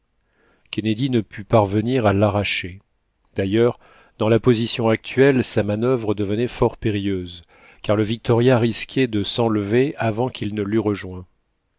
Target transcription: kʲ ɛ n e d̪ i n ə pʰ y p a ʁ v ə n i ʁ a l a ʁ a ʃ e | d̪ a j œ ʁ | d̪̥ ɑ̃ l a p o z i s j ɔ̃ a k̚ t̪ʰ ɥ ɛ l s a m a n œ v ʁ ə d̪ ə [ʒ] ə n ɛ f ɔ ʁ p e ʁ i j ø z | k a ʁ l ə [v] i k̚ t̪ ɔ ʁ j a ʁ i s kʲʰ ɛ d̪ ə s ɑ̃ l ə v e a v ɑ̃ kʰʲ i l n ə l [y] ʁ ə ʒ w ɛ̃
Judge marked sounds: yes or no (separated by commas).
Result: no, yes, yes